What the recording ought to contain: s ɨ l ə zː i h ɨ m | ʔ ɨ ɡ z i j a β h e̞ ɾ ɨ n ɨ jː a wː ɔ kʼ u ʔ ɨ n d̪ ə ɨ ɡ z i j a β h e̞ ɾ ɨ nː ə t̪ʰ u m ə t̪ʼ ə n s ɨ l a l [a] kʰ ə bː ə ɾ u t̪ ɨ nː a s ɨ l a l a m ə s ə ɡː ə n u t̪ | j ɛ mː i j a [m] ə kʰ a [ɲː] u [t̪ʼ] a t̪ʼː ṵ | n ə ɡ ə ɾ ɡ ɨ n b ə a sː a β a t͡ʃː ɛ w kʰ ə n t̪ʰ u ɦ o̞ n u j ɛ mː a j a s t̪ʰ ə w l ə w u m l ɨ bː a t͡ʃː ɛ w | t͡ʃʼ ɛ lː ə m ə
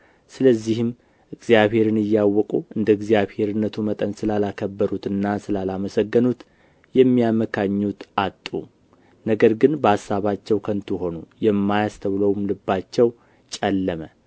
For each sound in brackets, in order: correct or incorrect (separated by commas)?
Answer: correct, correct, correct, incorrect